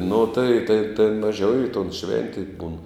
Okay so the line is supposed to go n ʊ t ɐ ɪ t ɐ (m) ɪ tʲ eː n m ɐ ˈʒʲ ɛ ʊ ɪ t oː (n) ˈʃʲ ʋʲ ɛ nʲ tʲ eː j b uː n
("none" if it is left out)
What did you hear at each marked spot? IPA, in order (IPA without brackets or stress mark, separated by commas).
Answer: none, n